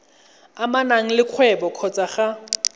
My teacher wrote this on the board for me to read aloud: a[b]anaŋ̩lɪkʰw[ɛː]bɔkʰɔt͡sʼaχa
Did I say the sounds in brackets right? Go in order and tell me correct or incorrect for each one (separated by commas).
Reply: incorrect, incorrect